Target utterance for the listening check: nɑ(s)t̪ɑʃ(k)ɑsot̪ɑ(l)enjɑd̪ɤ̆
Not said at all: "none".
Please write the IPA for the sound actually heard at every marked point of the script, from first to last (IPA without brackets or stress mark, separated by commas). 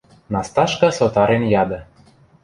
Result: s, k, ɾ